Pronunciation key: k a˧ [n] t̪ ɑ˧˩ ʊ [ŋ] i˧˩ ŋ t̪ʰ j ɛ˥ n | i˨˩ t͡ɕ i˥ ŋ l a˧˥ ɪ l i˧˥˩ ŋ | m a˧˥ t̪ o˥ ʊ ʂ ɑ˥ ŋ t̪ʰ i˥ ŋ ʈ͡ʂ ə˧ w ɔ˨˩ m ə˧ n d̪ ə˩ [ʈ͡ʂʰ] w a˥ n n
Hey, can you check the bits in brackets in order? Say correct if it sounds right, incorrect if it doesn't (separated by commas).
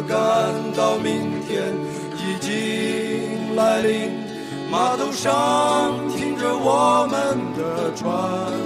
correct, incorrect, correct